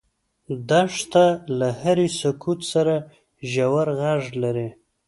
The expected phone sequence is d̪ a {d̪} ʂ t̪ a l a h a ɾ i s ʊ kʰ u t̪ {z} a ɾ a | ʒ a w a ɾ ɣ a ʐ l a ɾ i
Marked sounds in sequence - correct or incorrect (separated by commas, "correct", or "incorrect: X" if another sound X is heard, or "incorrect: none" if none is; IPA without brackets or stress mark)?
incorrect: none, incorrect: s